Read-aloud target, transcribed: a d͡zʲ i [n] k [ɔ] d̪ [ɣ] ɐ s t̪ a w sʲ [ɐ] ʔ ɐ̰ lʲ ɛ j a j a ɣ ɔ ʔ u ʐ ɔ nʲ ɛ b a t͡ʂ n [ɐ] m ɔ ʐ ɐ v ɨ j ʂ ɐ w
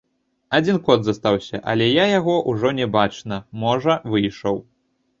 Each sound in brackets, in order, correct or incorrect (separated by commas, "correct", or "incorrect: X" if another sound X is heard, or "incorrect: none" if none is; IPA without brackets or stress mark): correct, correct, incorrect: z, correct, correct